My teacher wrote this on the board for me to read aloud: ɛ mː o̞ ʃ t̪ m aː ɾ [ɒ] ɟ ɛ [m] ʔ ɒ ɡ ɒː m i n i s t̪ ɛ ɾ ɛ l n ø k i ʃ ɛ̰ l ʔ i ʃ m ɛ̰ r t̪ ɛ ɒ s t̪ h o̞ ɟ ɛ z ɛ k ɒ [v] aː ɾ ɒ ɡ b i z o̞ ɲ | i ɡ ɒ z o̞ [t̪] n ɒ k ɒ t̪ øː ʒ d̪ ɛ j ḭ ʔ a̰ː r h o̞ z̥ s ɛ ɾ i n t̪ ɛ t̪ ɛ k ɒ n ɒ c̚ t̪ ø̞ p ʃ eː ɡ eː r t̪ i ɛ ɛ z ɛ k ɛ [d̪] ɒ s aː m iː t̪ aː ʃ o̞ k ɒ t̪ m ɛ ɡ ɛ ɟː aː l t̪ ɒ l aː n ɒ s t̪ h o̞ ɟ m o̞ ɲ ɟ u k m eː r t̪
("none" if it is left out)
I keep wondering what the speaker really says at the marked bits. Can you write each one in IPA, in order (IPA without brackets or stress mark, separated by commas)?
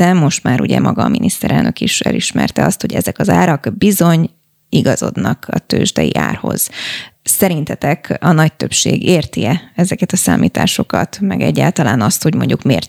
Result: u, m, z, d̪, t̪